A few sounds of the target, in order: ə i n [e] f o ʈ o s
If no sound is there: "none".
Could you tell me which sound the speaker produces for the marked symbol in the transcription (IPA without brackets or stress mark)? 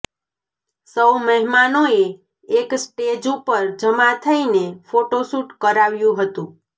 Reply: e